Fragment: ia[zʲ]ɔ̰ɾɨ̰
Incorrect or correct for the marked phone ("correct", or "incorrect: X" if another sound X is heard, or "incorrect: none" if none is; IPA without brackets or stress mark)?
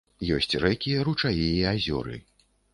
correct